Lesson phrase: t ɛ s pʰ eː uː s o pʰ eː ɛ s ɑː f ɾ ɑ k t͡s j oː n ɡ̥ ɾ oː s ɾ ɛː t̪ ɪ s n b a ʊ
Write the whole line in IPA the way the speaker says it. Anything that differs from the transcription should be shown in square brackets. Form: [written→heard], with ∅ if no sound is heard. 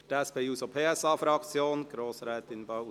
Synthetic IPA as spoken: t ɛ s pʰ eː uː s o pʰ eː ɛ s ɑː f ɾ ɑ k t͡s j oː n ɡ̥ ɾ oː s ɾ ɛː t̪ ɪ [s→∅] n b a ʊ

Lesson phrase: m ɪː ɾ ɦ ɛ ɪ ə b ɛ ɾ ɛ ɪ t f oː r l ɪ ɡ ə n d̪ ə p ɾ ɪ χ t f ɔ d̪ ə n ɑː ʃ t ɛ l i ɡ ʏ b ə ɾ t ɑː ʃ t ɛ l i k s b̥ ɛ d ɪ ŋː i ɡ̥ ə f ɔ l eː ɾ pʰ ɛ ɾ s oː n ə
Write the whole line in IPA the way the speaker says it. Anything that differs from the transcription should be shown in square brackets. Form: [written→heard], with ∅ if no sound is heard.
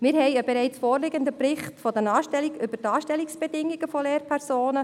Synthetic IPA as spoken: m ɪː ɾ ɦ ɛ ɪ ə b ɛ ɾ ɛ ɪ [t→t͡s] f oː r l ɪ ɡ ə n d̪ ə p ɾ ɪ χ t f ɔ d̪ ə n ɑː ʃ t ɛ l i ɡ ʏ b ə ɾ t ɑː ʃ t ɛ l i k s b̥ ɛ d ɪ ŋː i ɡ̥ ə f ɔ l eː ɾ pʰ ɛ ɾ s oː n ə

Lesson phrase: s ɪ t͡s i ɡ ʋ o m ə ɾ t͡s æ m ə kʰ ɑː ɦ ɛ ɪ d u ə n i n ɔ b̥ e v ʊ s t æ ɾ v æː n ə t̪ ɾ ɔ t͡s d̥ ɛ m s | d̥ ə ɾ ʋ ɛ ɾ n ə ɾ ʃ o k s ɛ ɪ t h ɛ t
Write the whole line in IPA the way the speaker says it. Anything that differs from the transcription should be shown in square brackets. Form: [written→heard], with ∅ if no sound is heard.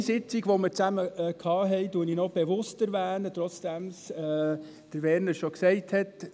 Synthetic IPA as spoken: s ɪ t͡s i ɡ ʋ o m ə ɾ t͡s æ m ə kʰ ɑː ɦ ɛ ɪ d u ə n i n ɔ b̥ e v ʊ s t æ ɾ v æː n ə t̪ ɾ ɔ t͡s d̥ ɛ m s | d̥ ə ɾ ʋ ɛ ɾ n ə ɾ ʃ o k s ɛ ɪ t h ɛ t

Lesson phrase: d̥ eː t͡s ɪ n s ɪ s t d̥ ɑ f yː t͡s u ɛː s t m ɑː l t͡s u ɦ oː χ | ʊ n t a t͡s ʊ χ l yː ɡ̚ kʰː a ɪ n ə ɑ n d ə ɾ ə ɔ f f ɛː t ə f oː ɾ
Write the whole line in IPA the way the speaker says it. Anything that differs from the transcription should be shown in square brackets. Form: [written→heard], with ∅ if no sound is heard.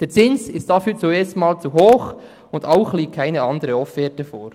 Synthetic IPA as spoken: d̥ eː t͡s ɪ n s ɪ s t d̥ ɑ f yː t͡s u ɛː s t m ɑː l t͡s u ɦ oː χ | ʊ n [t→d] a [t͡s→∅] ʊ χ l [yː→iː] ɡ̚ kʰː a ɪ n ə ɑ n d ə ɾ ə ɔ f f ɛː t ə f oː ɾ

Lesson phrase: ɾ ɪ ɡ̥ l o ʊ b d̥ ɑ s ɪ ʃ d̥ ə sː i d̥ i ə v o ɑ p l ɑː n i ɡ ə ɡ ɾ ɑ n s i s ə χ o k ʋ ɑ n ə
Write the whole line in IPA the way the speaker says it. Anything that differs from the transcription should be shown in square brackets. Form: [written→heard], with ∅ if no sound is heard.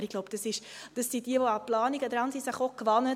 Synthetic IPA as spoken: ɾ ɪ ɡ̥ l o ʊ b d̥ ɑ s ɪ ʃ d̥ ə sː i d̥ i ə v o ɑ p l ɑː n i ɡ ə [ɡ→d] ɾ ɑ n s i s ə χ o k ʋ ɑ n ə

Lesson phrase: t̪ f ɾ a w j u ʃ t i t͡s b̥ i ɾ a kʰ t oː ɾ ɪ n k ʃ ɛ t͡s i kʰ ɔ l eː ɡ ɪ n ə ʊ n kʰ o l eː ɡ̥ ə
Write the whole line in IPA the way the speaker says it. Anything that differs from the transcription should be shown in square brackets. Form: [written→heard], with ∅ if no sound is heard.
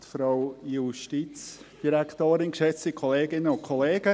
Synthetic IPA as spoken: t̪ f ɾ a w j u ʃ t i t͡s [b̥→d̥] i ɾ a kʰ t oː ɾ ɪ n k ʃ ɛ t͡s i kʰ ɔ l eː ɡ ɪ n ə ʊ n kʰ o l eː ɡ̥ ə

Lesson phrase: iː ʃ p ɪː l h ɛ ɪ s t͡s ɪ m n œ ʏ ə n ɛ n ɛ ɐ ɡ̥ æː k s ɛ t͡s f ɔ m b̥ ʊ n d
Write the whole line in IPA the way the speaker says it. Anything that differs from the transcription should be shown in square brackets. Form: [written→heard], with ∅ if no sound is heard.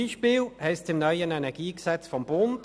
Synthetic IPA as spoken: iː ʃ p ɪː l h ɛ ɪ s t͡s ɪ m n œ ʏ ə n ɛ n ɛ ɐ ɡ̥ [æː→iː] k s ɛ t͡s f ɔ m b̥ ʊ n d

